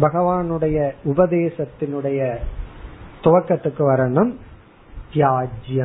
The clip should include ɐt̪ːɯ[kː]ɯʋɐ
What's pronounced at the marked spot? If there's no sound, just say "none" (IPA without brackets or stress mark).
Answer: kː